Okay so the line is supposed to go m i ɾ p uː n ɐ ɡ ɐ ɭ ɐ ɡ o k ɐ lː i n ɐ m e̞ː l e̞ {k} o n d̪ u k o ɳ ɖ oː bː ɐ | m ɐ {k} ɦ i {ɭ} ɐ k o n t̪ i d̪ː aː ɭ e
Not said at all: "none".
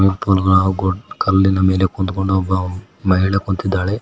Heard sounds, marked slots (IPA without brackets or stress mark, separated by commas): k, none, ɭ